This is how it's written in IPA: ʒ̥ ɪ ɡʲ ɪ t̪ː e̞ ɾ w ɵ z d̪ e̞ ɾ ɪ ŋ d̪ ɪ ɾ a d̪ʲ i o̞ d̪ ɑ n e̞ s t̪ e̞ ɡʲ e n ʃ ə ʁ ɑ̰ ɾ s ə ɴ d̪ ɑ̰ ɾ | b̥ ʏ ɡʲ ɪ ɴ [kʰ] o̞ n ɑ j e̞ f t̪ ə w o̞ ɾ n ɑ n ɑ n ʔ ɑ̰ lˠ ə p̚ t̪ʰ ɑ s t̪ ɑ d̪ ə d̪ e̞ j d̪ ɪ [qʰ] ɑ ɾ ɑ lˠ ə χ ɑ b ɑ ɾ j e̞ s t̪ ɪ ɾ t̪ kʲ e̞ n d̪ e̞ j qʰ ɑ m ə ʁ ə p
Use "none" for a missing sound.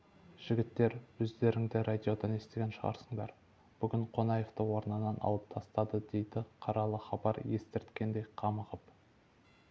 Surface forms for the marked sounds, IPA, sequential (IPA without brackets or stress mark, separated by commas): qʰ, qʰ